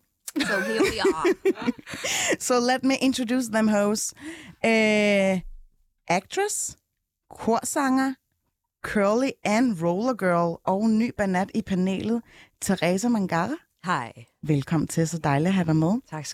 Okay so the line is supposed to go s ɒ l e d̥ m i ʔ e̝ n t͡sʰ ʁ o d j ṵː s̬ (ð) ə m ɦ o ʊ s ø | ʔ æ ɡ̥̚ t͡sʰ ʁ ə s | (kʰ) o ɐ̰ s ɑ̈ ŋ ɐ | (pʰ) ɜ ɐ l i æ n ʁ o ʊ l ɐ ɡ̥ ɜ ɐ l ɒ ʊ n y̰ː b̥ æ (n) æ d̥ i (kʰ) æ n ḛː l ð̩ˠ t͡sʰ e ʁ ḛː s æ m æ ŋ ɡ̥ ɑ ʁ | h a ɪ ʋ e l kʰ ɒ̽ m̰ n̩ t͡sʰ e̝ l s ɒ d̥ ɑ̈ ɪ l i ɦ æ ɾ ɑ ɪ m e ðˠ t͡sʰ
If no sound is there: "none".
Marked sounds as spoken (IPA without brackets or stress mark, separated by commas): ð, kʰ, kʰ, n, pʰ